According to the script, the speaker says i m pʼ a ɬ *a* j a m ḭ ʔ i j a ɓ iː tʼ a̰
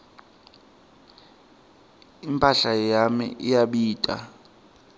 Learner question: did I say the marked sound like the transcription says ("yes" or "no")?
yes